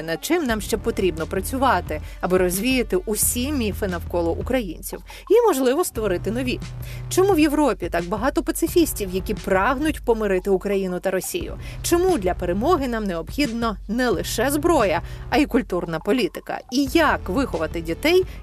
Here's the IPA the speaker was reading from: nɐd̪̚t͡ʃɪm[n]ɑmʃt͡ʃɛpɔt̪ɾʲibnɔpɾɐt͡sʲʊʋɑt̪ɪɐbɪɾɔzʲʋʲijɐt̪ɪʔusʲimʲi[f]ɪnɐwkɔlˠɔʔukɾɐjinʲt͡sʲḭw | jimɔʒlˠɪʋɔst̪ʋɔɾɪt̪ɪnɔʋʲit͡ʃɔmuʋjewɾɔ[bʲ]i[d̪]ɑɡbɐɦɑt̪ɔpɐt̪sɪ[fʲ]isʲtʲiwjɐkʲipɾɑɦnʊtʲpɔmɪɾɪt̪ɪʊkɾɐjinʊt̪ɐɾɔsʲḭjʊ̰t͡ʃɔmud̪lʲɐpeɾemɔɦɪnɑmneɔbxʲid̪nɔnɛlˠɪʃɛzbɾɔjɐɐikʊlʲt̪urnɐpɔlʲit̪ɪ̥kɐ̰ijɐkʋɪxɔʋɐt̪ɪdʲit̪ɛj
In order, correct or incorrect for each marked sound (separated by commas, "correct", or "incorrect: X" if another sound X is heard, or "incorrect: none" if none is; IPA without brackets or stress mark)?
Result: correct, correct, incorrect: pʲ, incorrect: t̪, correct